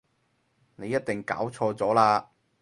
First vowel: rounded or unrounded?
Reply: unrounded